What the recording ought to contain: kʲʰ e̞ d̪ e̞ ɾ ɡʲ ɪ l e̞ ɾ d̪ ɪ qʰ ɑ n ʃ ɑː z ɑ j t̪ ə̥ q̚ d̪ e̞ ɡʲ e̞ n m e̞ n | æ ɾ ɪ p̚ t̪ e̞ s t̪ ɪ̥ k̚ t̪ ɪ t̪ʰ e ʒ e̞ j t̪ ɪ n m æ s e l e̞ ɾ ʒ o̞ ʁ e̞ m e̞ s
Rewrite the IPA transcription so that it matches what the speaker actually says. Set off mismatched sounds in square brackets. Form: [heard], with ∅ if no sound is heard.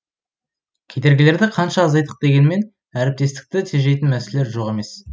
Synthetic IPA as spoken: kʲʰ e̞ d̪ e̞ ɾ ɡʲ ɪ l e̞ ɾ d̪ ɪ qʰ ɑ n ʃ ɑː z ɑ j t̪ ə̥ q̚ d̪ e̞ ɡʲ e̞ n m e̞ n | æ ɾ ɪ p̚ t̪ e̞ s t̪ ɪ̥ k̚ t̪ ɪ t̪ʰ e ʒ e̞ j t̪ ɪ n m æ s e l e̞ ɾ ʒ o̞ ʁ e̞ m e̞ s

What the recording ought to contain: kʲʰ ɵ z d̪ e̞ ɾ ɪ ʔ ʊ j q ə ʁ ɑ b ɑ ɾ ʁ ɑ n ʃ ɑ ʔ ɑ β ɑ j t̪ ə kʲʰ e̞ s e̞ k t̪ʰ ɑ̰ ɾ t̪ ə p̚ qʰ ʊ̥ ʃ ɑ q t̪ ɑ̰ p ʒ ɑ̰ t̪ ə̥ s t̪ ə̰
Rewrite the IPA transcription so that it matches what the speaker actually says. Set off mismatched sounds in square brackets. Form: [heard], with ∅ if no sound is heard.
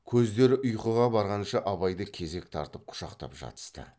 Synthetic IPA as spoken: kʲʰ ɵ z d̪ e̞ ɾ ɪ ʔ ʊ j q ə ʁ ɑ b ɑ ɾ ʁ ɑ n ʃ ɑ ʔ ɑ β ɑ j [d̪] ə kʲʰ e̞ [z] e̞ k t̪ʰ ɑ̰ ɾ t̪ ə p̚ qʰ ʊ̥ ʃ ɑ q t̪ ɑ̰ p ʒ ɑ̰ t̪ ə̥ s t̪ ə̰

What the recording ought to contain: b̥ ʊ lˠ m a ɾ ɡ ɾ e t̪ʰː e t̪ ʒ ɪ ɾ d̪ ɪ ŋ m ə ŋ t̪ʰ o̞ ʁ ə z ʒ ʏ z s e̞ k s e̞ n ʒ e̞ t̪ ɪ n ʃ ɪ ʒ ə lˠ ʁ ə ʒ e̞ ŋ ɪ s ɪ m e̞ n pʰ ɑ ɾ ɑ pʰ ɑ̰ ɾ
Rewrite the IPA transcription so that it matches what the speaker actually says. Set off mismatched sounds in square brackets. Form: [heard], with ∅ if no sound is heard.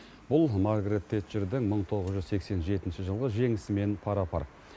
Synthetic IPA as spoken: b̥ ʊ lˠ m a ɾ ɡ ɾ e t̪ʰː e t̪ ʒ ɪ ɾ d̪ ɪ ŋ m ə [ɴ] t̪ʰ o̞ ʁ ə z ʒ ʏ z s e̞ k s e̞ n ʒ e̞ t̪ ɪ n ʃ ɪ ʒ ə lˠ ʁ ə ʒ e̞ ŋ ɪ s ɪ m e̞ n pʰ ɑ ɾ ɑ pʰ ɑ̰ ɾ

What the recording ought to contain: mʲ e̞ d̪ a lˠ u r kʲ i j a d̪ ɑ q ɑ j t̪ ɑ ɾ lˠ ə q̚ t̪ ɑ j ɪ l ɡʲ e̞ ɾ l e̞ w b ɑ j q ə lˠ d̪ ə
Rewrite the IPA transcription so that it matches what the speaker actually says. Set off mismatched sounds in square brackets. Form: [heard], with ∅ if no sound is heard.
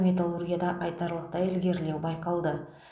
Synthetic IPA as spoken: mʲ e̞ [t̪] a lˠ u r [ɡʲ] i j a d̪ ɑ [ʔ] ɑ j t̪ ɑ ɾ lˠ ə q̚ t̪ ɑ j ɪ l ɡʲ e̞ ɾ l e̞ w b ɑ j q [ɑ] lˠ d̪ ə

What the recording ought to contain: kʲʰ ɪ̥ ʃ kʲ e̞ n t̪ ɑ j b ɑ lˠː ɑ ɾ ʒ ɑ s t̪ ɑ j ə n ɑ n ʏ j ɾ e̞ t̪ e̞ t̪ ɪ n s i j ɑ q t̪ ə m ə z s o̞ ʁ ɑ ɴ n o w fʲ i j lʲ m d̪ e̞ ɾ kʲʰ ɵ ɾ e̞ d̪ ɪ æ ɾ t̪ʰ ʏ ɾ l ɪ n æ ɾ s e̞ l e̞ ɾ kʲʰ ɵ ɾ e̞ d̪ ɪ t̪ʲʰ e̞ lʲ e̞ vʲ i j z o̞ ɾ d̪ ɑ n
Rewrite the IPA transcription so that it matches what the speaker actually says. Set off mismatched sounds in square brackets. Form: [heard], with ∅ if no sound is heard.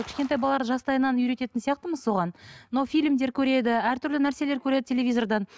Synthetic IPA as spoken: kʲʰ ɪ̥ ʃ kʲ e̞ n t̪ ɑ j b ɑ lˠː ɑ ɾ ʒ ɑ s t̪ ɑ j ə n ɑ n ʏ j ɾ e̞ t̪ e̞ t̪ ɪ n s i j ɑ q t̪ ə m ə z s o̞ ʁ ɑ [n] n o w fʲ i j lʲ m d̪ e̞ ɾ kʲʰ ɵ ɾ e̞ d̪ ɪ æ ɾ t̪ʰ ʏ ɾ l ɪ n æ ɾ s e̞ l e̞ ɾ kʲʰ ɵ ɾ e̞ d̪ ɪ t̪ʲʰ e̞ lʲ e̞ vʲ i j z o̞ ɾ d̪ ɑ n

